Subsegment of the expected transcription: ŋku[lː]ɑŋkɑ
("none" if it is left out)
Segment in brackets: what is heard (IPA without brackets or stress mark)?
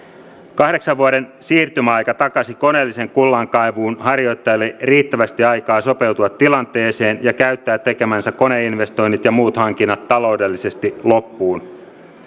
lː